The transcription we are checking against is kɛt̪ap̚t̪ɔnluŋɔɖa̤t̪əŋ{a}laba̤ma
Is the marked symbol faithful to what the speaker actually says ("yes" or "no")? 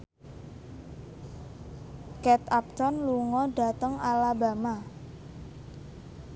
yes